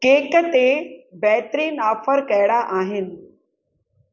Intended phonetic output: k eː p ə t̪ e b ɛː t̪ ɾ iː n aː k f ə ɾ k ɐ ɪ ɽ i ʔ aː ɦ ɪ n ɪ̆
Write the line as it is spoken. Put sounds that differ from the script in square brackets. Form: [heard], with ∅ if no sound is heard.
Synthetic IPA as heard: k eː [k] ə t̪ e b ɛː t̪ ɾ iː n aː [∅] f ə ɾ k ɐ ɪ ɽ [a] ʔ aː ɦ ɪ n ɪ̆